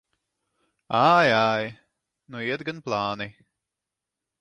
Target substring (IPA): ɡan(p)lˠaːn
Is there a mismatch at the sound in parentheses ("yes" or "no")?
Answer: no